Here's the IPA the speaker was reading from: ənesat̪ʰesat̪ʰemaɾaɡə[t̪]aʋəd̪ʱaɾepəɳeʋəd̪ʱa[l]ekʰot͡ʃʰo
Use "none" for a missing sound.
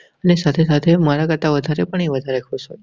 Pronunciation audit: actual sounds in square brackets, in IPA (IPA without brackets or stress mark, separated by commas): t̪, ɾ